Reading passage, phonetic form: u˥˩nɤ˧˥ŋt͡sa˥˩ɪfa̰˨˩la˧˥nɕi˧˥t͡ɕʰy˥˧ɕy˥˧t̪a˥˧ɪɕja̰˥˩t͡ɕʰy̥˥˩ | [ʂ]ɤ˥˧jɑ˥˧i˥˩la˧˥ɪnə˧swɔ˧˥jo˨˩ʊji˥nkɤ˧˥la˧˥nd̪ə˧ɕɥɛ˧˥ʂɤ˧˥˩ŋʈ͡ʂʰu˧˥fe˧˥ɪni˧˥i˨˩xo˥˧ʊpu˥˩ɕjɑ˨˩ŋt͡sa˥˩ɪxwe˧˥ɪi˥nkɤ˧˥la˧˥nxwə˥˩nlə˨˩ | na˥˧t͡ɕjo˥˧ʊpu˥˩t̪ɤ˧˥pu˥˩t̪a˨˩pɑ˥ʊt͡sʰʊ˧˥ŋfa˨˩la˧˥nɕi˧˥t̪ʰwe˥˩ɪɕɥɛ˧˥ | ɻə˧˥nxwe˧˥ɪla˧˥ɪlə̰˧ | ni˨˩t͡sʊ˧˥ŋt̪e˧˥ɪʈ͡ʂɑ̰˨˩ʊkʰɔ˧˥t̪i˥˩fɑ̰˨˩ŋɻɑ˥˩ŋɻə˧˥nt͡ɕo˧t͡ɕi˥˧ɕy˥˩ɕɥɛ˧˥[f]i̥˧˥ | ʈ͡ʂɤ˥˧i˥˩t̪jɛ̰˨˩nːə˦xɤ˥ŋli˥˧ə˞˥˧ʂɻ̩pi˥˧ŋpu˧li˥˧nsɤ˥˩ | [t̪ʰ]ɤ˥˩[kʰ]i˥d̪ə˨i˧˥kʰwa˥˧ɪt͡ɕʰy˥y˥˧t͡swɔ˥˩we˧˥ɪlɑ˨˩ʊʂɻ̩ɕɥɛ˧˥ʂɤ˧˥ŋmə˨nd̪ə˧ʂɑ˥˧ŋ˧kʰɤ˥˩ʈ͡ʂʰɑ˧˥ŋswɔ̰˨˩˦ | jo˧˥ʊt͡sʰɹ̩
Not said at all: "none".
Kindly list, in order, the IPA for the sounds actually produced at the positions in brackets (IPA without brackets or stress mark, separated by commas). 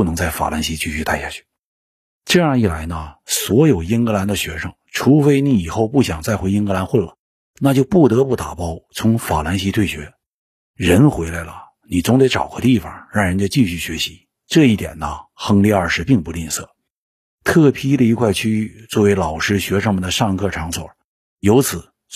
ʈ͡ʂ, ɕ, t̪ʰ, pʰ